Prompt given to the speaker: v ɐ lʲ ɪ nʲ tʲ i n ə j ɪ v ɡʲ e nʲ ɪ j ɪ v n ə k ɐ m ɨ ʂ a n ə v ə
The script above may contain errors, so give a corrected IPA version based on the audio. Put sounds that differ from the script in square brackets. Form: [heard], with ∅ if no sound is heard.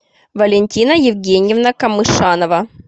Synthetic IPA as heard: v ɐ lʲ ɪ nʲ tʲ i n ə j ɪ v ɡʲ e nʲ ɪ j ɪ v n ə k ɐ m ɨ ʂ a n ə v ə

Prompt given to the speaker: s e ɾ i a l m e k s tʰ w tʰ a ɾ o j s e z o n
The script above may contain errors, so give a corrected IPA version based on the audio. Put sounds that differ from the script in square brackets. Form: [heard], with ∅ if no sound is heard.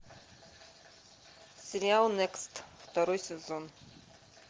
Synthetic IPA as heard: s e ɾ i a l [n] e k s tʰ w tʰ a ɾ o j s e z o n

